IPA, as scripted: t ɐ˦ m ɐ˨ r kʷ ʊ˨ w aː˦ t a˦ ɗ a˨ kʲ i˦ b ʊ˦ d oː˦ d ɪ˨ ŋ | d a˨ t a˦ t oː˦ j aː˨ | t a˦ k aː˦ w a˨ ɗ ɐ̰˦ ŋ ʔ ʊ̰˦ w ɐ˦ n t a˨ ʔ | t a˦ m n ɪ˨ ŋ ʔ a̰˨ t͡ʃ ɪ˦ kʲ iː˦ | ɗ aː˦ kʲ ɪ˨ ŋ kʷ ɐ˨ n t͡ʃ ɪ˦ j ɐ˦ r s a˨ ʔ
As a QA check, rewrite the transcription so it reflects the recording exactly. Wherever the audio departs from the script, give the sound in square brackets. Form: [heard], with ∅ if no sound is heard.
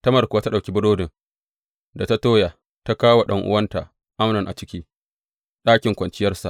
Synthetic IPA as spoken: t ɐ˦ m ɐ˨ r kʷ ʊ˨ w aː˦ t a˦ ɗ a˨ kʲ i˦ b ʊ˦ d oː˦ d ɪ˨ ŋ | d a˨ t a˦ t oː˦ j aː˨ | t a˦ k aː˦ w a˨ ɗ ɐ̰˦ ŋ ʔ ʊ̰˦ w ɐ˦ n t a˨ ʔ | [ʔ] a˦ m n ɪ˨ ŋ ʔ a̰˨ t͡ʃ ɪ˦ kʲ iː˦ | ɗ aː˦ kʲ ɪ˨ ŋ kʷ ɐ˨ n t͡ʃ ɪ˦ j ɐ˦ r s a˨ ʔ

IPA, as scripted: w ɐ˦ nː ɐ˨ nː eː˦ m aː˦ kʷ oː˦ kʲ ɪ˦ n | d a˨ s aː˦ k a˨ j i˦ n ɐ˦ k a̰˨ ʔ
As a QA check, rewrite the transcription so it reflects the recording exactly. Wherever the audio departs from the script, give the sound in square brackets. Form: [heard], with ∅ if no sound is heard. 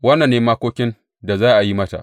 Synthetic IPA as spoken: w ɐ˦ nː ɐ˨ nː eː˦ m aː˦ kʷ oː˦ kʲ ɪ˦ n | d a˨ [z] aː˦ [ʔ] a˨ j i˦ [m] ɐ˦ [t] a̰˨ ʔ

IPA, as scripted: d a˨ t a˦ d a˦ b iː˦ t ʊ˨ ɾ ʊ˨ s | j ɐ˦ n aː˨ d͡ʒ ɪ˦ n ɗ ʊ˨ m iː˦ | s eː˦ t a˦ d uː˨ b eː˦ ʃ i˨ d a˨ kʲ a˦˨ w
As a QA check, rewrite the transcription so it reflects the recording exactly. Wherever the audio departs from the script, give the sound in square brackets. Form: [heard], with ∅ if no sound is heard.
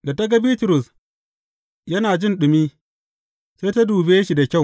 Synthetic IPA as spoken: d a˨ t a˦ [ɡ] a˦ b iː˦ t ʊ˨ ɾ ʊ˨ s | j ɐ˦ n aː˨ d͡ʒ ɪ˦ n ɗ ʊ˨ m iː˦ | s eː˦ t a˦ d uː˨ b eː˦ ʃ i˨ d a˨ kʲ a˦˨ w

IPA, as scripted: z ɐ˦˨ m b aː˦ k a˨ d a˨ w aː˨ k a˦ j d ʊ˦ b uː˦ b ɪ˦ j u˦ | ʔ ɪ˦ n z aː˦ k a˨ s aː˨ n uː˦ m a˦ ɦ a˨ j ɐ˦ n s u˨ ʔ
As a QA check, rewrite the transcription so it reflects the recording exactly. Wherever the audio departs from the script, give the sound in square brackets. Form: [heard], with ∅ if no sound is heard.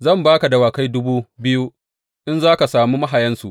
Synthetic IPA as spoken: z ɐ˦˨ m b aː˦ k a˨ d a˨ w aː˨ k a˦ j d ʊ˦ b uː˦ b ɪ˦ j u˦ | ʔ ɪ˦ n z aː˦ k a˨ s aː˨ [m] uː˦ m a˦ ɦ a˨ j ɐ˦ n s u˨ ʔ

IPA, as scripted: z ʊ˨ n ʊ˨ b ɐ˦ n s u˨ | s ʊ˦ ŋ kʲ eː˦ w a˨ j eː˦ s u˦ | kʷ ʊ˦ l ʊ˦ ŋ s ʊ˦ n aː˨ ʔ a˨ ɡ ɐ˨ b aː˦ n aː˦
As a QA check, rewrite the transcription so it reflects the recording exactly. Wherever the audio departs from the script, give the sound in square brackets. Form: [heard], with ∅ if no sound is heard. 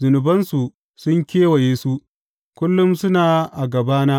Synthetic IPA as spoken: z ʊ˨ n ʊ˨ b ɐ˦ n s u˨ | s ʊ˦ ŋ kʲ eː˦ w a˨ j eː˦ s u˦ | kʷ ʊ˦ [lː] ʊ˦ [m] s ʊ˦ n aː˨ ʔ a˨ ɡ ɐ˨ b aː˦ n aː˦

